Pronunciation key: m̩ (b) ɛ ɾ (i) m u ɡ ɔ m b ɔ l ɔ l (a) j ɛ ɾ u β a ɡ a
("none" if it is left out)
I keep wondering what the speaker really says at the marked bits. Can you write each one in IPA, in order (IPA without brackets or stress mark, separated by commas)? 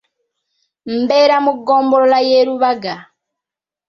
b, a, a